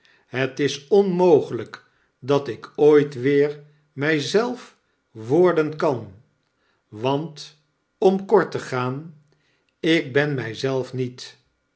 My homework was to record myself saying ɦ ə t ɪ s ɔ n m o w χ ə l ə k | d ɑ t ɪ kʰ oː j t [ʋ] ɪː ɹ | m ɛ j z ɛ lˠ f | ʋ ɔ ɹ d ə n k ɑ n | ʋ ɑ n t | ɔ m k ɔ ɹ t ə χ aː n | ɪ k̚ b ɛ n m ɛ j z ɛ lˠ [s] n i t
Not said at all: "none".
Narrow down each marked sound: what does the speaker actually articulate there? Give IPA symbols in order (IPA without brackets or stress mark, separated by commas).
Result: ʋ, f